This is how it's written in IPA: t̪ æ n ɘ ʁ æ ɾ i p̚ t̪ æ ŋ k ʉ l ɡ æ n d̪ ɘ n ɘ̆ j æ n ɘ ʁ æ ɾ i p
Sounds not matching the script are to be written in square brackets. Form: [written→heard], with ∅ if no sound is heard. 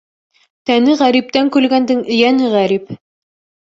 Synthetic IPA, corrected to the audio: t̪ æ n ɘ ʁ æ ɾ i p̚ t̪ æ ŋ k ʉ l ɡ æ n d̪ ɘ [n→ŋ] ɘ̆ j æ n ɘ ʁ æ ɾ i p